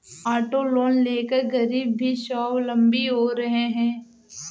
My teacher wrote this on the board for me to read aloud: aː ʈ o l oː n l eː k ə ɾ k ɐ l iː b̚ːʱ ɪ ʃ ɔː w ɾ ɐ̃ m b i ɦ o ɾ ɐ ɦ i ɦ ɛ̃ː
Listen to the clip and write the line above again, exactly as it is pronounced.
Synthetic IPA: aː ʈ o l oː n l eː k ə ɾ ɡ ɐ ɾ iː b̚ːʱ i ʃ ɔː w l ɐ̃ m b i ɦ o ɾ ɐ ɦ e ɦ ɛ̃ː

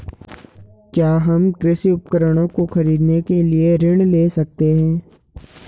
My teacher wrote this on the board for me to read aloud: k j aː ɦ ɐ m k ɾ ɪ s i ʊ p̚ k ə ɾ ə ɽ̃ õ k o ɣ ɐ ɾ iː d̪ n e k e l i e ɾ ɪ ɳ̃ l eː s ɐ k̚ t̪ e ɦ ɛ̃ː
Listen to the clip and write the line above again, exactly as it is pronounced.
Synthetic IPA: k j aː ɦ ɐ m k ɾ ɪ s i ʊ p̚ k ə ɾ ə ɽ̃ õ k o x ɐ ɾ iː d̪ n e k e l i e ɾ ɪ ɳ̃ l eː s ɐ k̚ t̪ e ɦ ɛ̃ː

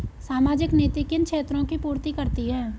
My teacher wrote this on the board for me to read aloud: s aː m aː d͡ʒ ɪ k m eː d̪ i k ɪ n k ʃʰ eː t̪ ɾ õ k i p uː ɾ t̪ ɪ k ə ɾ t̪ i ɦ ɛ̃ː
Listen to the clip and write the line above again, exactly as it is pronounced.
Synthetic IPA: s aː m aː d͡ʒ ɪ k n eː t̪ i k ɪ n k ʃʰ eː t̪ ɾ õ k i p uː ɾ t̪ i k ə ɾ t̪ i ɦ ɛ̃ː

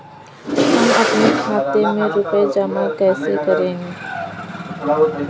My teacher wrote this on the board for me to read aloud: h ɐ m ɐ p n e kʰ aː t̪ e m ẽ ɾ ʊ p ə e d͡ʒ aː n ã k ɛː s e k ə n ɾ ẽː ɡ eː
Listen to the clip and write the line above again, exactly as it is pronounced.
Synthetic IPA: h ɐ m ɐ p n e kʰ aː t̪ e m ẽ ɾ ʊ p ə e d͡ʒ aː m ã k ɛː s e k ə ɾ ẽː ɡ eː

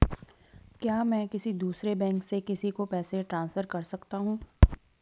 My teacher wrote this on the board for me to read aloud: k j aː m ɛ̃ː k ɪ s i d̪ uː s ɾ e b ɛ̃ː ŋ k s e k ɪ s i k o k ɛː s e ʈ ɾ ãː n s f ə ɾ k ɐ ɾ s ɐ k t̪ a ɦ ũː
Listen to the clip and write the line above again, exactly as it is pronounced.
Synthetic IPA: k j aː m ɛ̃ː k ɪ s i d̪ uː s ɾ e b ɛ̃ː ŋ k s e k ɪ s i k o p ɛː s e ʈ ɾ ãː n s f ə ɾ k ɐ ɾ s ɐ k t̪ a ɦ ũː

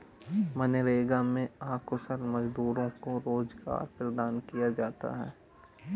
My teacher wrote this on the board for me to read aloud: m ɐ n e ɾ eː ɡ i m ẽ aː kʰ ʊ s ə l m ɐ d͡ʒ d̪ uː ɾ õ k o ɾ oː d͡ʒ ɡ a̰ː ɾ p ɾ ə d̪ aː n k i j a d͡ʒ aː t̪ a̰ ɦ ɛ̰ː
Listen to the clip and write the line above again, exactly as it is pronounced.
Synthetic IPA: m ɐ n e ɾ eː ɡ a m ẽ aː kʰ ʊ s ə l m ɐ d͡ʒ d̪ uː ɾ õ k o ɾ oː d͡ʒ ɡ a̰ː ɾ p ɾ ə d̪ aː n k i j a d͡ʒ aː t̪ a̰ ɦ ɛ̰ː

